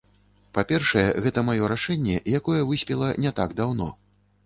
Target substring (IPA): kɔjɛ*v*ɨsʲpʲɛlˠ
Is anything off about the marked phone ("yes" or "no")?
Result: no